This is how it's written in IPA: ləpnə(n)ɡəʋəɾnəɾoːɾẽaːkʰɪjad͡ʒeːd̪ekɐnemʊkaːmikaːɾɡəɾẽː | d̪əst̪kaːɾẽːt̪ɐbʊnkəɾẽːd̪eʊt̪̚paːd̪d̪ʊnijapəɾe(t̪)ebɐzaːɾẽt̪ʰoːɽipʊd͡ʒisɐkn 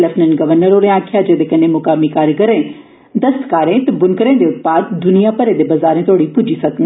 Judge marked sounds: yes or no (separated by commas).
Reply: yes, no